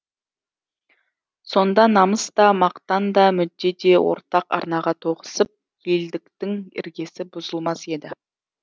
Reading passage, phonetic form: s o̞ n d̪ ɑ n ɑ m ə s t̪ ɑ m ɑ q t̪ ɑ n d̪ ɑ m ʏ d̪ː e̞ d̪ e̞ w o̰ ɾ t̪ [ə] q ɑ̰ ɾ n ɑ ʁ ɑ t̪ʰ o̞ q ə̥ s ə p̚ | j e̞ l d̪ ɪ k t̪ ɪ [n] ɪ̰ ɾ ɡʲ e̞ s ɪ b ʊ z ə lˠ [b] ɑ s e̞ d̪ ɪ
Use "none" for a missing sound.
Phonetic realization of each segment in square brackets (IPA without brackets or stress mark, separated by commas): ɑ, ŋ, m